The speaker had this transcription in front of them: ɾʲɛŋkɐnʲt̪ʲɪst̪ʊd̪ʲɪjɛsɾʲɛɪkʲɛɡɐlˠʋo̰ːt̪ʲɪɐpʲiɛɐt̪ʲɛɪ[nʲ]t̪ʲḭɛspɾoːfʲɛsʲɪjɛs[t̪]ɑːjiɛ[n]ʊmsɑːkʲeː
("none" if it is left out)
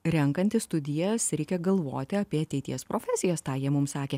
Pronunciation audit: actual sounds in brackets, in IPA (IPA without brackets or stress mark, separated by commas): none, t̪, m